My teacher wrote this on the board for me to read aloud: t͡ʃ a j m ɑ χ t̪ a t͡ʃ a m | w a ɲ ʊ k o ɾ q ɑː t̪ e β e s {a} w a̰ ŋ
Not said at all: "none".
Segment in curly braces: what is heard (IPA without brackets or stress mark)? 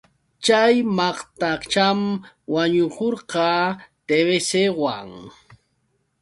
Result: e